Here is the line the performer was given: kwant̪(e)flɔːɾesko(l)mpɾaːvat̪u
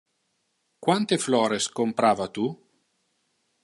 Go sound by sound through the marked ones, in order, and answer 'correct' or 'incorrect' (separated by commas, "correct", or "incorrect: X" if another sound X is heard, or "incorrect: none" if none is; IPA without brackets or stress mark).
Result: correct, incorrect: none